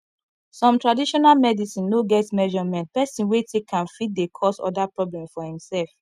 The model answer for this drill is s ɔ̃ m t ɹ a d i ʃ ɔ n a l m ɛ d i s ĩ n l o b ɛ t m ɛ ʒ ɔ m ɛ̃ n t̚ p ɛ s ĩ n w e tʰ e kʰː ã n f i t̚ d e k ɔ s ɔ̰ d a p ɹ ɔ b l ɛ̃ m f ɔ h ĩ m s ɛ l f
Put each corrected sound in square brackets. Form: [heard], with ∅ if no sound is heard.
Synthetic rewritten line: s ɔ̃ m t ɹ a d i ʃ ɔ n a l m ɛ d i s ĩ n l o [ɡ] ɛ t m ɛ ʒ ɔ m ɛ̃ n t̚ p ɛ s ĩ n w e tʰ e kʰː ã n f i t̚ d e [kʰ] ɔ s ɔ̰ d a p ɹ ɔ b l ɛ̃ m f ɔ h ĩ m s ɛ l f

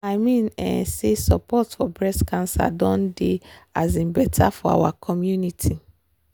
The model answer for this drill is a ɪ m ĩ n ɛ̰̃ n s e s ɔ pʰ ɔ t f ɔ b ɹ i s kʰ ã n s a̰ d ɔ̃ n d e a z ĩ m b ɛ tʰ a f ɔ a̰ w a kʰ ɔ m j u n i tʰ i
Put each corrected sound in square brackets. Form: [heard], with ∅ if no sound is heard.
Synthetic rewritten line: a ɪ m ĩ n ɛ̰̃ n s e s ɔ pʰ ɔ t f ɔ b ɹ [ɛ] s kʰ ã n s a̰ d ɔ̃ n d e a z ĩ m b ɛ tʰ a f ɔ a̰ w a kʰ ɔ m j u n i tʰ i

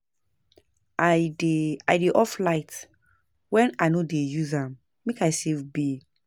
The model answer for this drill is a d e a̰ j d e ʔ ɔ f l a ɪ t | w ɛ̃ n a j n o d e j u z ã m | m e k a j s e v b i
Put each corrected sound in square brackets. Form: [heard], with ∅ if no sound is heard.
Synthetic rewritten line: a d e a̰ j d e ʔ ɔ f l a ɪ t | w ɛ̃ n a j n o d e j u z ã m | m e k a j s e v b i

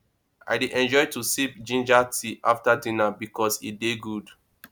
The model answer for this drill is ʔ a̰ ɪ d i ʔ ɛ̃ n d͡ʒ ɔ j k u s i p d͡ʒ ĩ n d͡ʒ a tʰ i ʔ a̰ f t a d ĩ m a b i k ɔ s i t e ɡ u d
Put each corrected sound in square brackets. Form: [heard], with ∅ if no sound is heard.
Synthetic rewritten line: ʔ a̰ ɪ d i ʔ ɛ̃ n d͡ʒ ɔ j [t] u s i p d͡ʒ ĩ n d͡ʒ a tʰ i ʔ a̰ f t a d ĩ [n] a b i k ɔ s i [d] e ɡ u d

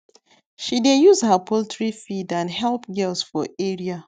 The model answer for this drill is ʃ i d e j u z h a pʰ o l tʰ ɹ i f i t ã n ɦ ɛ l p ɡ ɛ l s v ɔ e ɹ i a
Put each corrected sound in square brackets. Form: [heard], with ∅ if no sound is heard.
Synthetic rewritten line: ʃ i d e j u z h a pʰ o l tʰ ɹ i f i [d] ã n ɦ ɛ l p ɡ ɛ l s [f] ɔ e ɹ i a

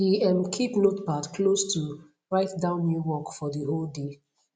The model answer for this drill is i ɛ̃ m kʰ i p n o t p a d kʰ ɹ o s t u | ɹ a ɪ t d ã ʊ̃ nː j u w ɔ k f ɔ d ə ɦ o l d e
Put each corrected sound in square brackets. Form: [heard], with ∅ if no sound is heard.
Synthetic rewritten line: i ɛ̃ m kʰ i p n o t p a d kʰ [l] o s t u | ɹ a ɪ t d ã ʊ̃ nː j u w ɔ k f ɔ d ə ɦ o l d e

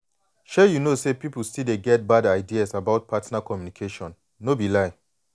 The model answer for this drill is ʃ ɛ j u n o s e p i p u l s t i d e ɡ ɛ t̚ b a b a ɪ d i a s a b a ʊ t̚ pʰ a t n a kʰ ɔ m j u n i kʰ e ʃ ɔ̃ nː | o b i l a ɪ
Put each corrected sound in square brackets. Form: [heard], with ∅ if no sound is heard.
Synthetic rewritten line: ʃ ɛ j u n o s e p i p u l s t i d e ɡ ɛ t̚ b a [d] a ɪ d i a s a b a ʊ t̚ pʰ a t n a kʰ ɔ m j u n i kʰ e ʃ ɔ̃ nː | o b i l a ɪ

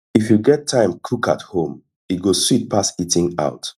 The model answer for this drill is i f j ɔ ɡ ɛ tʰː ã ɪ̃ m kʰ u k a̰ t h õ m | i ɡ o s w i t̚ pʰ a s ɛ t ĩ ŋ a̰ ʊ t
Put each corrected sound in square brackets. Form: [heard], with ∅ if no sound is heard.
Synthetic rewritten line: i f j [u] ɡ ɛ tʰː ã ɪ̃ m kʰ u k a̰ t h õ m | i ɡ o s w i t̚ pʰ a s [i] t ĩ ŋ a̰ ʊ t

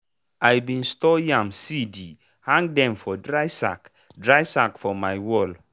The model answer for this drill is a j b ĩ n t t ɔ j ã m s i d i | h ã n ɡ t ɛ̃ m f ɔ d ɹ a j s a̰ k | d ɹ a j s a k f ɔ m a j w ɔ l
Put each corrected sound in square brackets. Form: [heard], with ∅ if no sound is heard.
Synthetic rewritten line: a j b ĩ n [s] t ɔ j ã m s i d i | h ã [ŋ] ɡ [d] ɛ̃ m f ɔ d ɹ a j s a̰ k | d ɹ a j s a k f ɔ m a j w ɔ l

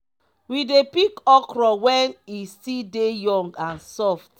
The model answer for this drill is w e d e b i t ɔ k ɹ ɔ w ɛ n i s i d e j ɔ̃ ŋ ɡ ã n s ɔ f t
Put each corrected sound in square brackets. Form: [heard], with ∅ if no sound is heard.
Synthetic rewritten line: w [i] d e [p] i [k] ɔ k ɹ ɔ w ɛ n i s i d e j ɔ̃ ŋ ɡ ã n s ɔ f t

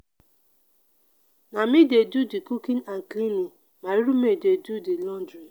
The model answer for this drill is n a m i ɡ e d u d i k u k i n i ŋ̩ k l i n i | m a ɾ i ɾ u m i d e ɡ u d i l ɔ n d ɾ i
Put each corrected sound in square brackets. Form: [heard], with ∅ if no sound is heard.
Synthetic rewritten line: n a m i [d] e d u d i k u k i n [a] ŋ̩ k l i n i | m a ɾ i ɾ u m [e] d e [d] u d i l ɔ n d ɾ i

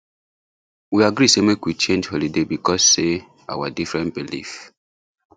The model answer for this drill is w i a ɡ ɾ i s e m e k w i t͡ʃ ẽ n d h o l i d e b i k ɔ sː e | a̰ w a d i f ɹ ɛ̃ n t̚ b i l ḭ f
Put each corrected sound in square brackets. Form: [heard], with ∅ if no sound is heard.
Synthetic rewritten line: w i a ɡ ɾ i s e m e k w i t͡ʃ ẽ n [d͡ʒ] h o l i d e b i k ɔ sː e | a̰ w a d i f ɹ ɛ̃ n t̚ b i l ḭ f

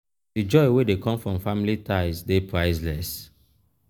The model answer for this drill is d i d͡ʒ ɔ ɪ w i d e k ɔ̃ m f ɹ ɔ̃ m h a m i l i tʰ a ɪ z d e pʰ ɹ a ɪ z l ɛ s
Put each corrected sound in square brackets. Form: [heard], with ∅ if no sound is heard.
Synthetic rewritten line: d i d͡ʒ ɔ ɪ w [e] d e k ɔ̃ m f ɹ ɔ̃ m [f] a m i l i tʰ a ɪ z d e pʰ ɹ a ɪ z l ɛ s

